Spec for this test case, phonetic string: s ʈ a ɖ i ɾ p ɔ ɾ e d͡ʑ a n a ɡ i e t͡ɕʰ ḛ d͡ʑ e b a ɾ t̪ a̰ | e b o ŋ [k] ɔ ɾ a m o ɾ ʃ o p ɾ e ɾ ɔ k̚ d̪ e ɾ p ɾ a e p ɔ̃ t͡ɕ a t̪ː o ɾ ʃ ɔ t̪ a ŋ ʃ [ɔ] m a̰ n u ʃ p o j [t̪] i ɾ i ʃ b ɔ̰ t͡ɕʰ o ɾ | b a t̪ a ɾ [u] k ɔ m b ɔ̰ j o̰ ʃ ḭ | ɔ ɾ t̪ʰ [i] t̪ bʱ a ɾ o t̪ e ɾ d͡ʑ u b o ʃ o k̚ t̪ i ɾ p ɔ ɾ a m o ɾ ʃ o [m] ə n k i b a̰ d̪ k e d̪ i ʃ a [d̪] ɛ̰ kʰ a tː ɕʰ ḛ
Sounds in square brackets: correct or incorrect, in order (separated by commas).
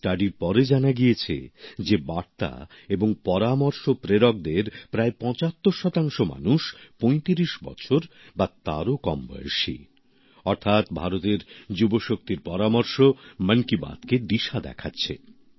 incorrect, incorrect, correct, incorrect, incorrect, correct, correct